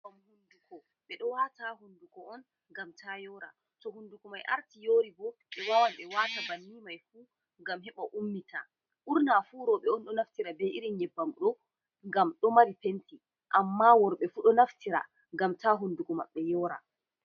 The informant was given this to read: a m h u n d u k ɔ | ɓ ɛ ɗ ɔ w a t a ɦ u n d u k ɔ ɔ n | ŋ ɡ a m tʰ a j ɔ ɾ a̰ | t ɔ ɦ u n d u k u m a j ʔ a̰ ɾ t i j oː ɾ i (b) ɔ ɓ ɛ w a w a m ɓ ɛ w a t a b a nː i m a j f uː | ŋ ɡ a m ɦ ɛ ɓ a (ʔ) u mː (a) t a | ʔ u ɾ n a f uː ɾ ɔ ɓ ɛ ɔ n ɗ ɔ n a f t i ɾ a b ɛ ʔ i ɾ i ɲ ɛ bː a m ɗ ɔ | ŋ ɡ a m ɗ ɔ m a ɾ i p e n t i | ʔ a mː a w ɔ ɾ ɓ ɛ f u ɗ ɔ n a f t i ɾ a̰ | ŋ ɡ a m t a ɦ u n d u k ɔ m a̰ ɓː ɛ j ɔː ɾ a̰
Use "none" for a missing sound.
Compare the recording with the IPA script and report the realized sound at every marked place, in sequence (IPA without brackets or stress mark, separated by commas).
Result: b, ʔ, i